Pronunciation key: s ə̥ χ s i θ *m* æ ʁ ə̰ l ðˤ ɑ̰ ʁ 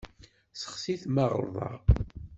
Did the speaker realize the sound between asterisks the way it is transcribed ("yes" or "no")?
yes